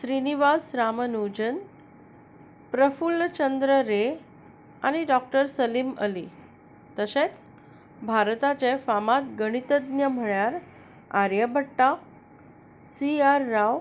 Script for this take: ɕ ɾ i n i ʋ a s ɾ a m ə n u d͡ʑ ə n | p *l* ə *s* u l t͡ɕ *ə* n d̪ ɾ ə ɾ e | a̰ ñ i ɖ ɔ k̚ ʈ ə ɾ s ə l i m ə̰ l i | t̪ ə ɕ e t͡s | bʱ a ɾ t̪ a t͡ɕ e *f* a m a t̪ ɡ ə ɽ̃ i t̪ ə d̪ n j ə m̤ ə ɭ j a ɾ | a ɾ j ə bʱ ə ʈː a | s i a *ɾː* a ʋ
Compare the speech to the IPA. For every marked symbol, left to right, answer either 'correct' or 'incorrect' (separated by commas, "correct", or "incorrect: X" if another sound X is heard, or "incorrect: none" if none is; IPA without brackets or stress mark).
incorrect: ɾ, incorrect: f, correct, correct, correct